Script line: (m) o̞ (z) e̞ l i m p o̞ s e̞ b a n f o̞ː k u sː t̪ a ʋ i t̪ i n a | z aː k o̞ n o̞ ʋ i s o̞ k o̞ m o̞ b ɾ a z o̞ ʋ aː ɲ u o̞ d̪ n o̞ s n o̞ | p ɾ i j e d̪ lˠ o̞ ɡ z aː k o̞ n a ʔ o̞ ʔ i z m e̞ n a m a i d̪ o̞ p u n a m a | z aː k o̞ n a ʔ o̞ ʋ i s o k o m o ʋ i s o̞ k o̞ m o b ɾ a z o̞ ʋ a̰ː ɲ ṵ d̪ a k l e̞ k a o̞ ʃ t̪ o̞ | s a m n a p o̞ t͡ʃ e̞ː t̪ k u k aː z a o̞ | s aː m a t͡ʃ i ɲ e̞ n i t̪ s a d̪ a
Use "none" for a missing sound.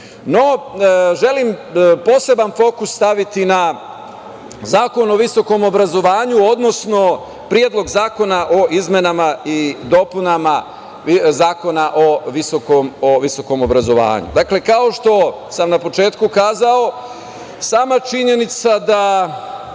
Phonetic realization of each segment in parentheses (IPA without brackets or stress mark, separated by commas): n, ʒ